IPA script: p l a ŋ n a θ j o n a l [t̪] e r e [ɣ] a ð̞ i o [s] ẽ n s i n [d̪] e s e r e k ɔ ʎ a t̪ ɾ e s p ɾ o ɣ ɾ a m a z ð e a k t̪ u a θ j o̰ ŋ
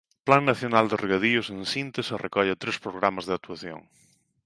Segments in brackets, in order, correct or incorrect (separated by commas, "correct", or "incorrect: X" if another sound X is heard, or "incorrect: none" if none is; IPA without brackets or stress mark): incorrect: d̪, correct, correct, incorrect: t̪